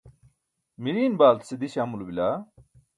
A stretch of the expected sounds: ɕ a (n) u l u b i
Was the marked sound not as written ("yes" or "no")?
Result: yes